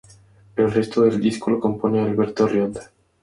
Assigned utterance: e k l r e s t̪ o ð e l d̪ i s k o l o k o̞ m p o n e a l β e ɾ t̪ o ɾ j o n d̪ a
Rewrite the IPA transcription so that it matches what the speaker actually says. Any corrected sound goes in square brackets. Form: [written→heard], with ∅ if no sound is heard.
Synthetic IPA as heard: e [k→∅] l r e s t̪ o ð e l d̪ i s k o l o k o̞ m p o n e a l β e ɾ t̪ o [ɾ→r] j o n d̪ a

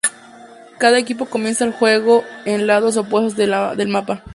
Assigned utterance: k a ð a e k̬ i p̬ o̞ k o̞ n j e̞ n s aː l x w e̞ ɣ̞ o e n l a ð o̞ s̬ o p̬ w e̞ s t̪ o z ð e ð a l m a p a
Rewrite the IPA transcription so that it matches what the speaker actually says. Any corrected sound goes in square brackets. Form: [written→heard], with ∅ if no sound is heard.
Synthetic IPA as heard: k a ð a e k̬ i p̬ o̞ k o̞ [n→m] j e̞ n s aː l x w e̞ ɣ̞ o e n l a ð o̞ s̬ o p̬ w e̞ s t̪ o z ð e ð [a→e] l m a p a

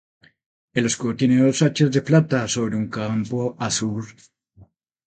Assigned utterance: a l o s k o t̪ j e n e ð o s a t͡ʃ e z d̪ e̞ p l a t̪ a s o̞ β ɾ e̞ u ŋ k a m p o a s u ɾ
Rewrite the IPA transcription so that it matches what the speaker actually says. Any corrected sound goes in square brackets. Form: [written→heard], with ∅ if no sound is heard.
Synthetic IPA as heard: [a→e] l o s k o t̪ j e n e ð o s a t͡ʃ e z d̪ e̞ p l a t̪ a s o̞ β ɾ e̞ u ŋ k a m p o a s u ɾ

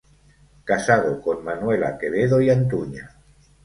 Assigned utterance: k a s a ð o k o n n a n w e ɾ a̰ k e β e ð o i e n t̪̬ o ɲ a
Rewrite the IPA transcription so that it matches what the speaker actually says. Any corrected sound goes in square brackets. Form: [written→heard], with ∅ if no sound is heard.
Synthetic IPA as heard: k a s a ð o k o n [n→m] a n w e [ɾ→l] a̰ k e β e ð o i [e→a] n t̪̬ [o→u] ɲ a

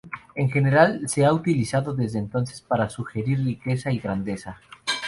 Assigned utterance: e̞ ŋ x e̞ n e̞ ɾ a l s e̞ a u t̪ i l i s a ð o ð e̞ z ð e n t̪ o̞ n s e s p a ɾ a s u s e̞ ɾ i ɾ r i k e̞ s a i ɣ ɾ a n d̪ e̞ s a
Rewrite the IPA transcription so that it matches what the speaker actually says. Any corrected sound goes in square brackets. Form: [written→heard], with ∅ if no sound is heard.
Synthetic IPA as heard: e̞ ŋ x e̞ n e̞ ɾ a l s e̞ a u t̪ i l i s a ð o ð e̞ z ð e n t̪ o̞ n s e s p a ɾ a s u [s→x] e̞ ɾ i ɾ r i k e̞ s a i ɣ ɾ a n d̪ e̞ s a

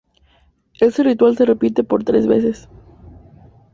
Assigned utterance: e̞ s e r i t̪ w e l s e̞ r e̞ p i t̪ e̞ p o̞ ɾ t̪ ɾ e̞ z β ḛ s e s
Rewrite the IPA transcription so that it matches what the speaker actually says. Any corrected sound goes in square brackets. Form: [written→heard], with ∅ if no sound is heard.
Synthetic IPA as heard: e̞ s e r i t̪ w [e→a] l s e̞ r e̞ p i t̪ e̞ p o̞ ɾ t̪ ɾ e̞ z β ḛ s e s

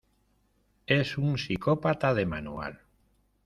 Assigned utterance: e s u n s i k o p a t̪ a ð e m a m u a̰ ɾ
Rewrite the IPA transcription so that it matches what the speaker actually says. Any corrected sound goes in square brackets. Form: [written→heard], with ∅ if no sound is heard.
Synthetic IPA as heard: e s u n s i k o p a t̪ a ð e m a [m→n] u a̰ [ɾ→l]

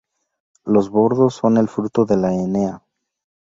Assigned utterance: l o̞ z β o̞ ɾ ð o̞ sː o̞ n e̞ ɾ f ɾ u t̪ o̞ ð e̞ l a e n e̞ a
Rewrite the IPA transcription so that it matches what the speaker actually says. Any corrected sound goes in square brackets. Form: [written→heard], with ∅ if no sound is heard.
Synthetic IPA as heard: l o̞ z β o̞ ɾ ð o̞ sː o̞ n e̞ [ɾ→l] f ɾ u t̪ o̞ ð e̞ l a e n e̞ a

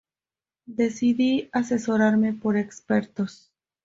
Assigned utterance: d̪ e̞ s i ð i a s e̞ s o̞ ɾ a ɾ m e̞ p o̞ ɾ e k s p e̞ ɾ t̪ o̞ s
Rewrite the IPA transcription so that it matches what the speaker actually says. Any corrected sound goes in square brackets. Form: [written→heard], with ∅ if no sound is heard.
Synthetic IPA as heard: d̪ e̞ s i ð i a s e̞ s o̞ ɾ a ɾ m e̞ p o̞ ɾ e k s p e̞ ɾ t̪ o̞ s

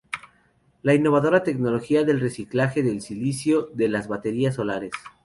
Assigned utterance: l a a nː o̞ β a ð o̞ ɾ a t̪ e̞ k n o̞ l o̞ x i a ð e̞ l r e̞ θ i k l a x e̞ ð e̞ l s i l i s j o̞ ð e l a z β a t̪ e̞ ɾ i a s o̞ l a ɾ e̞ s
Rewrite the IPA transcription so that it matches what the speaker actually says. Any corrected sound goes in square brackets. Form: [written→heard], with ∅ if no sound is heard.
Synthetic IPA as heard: l a [a→i] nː o̞ β a ð o̞ ɾ a t̪ e̞ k n o̞ l o̞ x i a ð e̞ l r e̞ [θ→s] i k l a x e̞ ð e̞ l s i l i s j o̞ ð e l a z β a t̪ e̞ ɾ i a s o̞ l a ɾ e̞ s

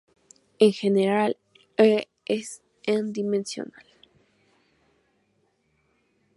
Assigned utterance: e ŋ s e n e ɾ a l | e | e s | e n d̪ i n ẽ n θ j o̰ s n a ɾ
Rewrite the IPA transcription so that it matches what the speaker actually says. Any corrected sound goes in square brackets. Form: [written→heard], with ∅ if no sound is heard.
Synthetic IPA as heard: e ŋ [s→x] e n e ɾ a l | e | e s | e n d̪ i [n→m] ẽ n [θ→s] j o̰ [s→∅] n a [ɾ→l]

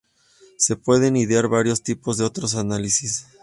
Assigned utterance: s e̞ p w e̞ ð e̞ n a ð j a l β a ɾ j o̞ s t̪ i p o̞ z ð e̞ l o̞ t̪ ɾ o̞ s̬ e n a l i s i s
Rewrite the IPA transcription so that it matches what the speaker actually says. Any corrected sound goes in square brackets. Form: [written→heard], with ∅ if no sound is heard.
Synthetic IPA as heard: s e̞ p w e̞ ð e̞ n [a→i] ð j a [l→ɾ] β a ɾ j o̞ s t̪ i p o̞ z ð e̞ [l→∅] o̞ t̪ ɾ o̞ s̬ [e→a] n a l i s i s

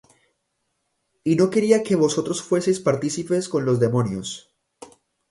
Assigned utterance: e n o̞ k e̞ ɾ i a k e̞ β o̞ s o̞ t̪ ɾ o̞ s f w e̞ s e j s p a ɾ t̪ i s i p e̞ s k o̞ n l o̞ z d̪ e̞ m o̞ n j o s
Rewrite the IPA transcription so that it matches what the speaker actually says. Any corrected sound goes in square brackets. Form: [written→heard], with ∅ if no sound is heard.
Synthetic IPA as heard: [e→i] n o̞ k e̞ ɾ i a k e̞ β o̞ s o̞ t̪ ɾ o̞ s f w e̞ s e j s p a ɾ t̪ i s i p e̞ s k o̞ n l o̞ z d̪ e̞ m o̞ n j o s

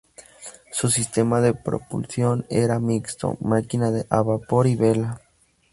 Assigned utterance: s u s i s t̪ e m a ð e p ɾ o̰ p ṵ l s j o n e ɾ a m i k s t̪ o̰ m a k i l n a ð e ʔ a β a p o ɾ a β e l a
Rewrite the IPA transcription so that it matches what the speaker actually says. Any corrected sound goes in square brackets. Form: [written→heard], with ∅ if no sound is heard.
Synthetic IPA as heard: s u s i s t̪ e m a ð e p ɾ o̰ p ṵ l s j o n e ɾ a m i k s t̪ o̰ m a k i [l→∅] n a ð e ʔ a β a p o ɾ [a→i] β e l a

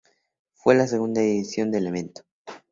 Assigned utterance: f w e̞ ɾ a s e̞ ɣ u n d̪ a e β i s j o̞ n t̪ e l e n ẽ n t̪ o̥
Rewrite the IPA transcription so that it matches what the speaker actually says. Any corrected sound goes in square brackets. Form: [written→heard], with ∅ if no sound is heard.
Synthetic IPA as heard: f w e̞ [ɾ→l] a s e̞ ɣ u n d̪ a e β i s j o̞ n [t̪→d̪] e l e [n→m] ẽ n t̪ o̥

